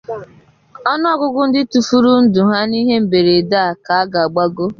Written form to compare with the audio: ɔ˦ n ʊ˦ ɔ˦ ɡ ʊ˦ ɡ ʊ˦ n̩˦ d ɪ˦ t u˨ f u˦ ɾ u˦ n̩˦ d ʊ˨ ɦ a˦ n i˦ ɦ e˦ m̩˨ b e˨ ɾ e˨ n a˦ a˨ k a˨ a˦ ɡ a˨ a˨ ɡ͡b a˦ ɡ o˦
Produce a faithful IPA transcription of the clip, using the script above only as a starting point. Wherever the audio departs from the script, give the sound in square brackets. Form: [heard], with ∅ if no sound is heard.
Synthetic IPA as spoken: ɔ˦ n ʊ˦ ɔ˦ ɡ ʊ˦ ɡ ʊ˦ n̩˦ d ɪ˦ t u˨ f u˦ ɾ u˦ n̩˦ d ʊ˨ ɦ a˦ n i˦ ɦ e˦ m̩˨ b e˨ ɾ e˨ [d] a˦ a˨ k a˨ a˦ ɡ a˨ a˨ ɡ͡b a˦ ɡ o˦

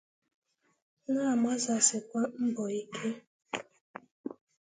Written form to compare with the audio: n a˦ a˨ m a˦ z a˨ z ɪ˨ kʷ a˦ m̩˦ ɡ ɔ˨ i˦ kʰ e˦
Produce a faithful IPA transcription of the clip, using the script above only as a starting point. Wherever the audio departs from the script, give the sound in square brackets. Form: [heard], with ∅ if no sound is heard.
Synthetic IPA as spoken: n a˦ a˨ m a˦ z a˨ [s] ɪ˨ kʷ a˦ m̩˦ [b] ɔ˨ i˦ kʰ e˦

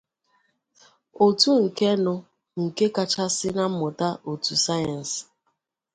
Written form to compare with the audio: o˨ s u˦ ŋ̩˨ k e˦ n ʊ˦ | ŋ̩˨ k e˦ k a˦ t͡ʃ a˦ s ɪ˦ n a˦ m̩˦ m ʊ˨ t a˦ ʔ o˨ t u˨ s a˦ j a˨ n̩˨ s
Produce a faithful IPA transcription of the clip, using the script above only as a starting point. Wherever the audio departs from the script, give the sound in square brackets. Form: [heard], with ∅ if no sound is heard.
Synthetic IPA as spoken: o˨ [t] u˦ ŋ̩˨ k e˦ n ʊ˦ | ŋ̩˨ k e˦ k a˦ t͡ʃ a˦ s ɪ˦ n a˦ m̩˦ m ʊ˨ t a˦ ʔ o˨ t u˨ s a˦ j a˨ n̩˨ s

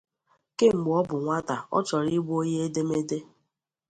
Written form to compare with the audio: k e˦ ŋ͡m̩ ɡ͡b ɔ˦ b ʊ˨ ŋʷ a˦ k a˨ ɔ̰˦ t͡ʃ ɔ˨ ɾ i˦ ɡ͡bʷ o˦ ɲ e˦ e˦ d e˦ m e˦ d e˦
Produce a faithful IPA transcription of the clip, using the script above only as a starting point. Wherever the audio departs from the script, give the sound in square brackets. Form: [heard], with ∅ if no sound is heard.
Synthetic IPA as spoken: k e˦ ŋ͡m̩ ɡ͡b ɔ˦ b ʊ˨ ŋʷ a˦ [t] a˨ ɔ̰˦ t͡ʃ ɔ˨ ɾ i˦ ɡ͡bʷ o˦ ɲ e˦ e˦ d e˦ m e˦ d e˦

